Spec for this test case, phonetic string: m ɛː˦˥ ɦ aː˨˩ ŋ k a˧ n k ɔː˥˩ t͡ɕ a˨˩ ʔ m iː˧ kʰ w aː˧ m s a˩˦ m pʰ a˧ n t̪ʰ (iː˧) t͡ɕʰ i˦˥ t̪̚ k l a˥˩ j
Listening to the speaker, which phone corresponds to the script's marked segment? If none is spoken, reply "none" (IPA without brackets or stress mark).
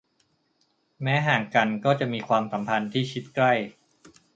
iː˥˩